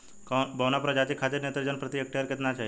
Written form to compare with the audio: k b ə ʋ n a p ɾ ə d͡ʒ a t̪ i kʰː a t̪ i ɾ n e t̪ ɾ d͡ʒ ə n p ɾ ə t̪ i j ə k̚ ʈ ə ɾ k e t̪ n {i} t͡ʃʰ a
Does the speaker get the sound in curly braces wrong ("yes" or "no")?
yes